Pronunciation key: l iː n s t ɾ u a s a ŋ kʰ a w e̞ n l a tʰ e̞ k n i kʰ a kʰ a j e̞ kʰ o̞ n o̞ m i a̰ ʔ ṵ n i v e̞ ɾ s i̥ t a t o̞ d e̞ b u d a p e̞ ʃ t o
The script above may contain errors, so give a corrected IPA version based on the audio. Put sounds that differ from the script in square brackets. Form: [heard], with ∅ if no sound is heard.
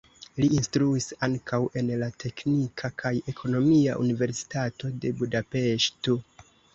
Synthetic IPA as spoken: l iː n s t ɾ u [i] s a ŋ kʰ a w e̞ n l a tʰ e̞ k n i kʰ a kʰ a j e̞ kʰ o̞ n o̞ m i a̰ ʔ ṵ n i v e̞ ɾ s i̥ t a t o̞ d e̞ b u d a p e̞ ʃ t o